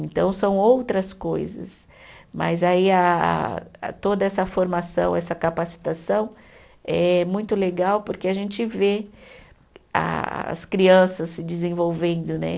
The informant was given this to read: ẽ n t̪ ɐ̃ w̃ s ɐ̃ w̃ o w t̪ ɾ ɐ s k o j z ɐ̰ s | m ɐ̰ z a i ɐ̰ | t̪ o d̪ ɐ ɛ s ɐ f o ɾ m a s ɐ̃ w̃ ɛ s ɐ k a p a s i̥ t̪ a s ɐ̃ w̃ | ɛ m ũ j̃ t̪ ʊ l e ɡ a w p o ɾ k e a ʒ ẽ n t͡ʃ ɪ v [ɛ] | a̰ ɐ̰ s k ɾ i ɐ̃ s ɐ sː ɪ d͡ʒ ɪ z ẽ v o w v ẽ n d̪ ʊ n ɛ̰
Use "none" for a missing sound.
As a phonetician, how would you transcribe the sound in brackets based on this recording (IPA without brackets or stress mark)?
e